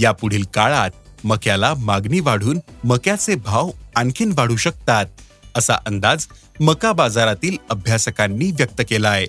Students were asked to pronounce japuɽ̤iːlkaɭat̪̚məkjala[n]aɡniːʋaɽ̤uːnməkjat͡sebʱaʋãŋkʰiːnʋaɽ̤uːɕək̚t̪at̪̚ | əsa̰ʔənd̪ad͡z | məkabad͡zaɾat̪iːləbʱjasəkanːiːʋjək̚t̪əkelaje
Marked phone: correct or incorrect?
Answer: incorrect